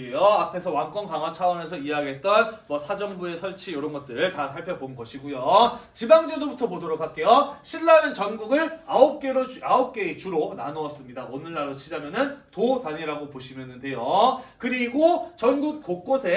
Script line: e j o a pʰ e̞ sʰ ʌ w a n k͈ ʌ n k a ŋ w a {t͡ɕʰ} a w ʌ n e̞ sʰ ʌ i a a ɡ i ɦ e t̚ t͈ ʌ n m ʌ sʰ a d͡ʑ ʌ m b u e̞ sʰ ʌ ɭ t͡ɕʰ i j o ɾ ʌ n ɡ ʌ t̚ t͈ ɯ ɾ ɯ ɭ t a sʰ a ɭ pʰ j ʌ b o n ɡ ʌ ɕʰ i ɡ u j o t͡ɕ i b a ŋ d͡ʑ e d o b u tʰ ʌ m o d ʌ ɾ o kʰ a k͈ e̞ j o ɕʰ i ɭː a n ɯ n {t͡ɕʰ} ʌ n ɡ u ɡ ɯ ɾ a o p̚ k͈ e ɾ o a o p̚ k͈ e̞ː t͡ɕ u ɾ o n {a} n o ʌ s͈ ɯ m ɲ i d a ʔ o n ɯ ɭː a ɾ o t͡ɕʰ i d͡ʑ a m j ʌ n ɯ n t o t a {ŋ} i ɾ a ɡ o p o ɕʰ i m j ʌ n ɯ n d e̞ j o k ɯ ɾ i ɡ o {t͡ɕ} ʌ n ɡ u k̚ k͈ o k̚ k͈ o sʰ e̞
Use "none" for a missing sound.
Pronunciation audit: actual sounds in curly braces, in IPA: t͡ɕʰ, t͡ɕ, a, ɲ, t͡ɕ

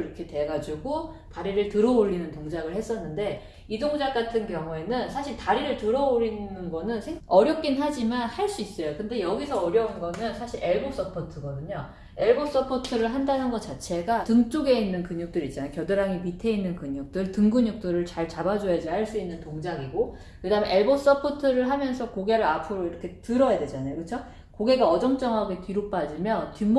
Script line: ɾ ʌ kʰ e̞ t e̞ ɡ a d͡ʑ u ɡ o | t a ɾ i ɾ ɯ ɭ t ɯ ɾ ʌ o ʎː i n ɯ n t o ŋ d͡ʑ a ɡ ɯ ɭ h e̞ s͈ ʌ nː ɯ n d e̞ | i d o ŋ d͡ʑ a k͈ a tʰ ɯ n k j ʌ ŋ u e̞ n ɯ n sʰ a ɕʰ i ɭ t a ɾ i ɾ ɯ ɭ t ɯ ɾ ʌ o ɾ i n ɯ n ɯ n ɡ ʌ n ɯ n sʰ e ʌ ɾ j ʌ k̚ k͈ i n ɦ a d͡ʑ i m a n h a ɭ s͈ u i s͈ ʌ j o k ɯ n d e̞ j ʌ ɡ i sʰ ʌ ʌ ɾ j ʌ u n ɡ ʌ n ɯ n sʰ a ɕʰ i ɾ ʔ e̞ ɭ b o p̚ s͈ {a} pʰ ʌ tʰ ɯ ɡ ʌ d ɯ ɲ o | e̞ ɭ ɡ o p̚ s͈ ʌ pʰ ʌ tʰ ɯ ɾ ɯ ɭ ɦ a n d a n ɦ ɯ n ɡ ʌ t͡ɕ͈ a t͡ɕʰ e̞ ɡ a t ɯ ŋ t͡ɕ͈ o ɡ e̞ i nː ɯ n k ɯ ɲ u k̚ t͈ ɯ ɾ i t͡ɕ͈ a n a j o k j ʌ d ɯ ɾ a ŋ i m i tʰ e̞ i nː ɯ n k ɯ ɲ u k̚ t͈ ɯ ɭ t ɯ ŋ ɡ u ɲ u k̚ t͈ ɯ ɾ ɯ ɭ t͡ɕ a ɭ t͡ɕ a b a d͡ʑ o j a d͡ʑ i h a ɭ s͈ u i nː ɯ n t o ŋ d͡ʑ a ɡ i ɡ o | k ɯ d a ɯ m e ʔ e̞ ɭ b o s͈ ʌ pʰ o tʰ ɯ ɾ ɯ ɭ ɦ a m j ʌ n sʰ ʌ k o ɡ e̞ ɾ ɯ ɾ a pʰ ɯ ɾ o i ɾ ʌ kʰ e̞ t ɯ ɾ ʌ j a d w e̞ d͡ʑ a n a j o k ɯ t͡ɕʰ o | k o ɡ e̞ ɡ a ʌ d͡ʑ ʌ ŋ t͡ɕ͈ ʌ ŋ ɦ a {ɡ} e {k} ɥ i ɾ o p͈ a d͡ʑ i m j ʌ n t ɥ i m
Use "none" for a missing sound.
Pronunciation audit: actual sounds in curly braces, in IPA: ʌ, ɡ, t

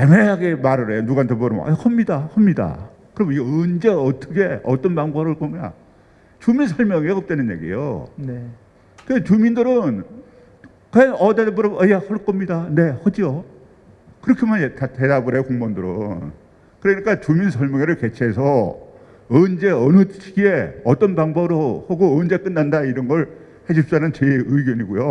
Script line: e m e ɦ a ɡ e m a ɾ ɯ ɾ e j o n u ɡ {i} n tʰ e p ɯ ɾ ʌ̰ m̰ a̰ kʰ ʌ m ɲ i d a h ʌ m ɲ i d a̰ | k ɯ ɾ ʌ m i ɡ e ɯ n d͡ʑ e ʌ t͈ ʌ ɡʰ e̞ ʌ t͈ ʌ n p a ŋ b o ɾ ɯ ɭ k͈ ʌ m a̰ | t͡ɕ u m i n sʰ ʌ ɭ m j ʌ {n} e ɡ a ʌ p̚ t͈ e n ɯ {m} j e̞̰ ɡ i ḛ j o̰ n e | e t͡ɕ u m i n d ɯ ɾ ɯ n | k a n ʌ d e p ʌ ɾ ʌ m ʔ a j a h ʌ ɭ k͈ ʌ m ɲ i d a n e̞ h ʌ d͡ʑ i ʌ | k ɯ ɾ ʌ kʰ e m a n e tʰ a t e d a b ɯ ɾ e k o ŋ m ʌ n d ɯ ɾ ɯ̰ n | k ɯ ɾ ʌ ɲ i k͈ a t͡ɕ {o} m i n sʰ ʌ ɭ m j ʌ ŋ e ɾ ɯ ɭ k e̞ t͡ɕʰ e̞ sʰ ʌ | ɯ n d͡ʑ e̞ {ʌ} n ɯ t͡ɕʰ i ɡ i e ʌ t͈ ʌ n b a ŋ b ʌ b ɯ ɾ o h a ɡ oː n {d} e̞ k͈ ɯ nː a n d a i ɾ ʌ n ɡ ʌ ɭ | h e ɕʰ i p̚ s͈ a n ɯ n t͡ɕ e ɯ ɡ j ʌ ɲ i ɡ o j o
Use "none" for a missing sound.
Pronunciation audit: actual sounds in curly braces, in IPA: a, ŋ, n, u, ʌ, d͡ʑ

